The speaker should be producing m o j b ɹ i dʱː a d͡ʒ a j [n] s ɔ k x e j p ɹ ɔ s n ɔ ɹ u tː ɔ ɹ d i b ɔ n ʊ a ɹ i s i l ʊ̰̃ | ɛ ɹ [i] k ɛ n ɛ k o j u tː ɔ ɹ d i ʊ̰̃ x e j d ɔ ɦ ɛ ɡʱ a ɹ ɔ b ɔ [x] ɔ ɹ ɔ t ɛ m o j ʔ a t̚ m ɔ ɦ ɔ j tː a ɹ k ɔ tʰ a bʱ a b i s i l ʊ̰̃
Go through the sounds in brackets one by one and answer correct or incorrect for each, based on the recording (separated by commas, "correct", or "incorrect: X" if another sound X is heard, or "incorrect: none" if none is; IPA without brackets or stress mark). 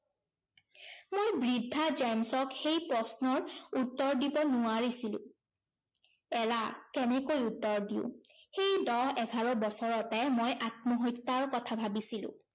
incorrect: m, incorrect: a, incorrect: s